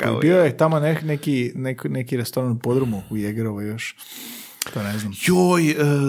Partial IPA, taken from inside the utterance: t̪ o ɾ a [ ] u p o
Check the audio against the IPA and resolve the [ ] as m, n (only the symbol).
n